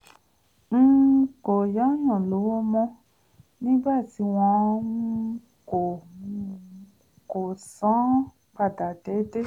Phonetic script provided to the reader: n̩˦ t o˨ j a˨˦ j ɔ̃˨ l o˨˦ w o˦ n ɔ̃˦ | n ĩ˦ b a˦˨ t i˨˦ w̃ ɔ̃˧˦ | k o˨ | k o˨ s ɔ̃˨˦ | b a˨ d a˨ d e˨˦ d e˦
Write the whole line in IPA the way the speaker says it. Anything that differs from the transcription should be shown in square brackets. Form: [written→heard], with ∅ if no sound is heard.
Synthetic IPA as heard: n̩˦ [t→k] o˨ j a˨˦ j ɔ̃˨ l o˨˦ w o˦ [n→m] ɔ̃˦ | n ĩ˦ b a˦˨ t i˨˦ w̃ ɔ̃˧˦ | k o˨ | k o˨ s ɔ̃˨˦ | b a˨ d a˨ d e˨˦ d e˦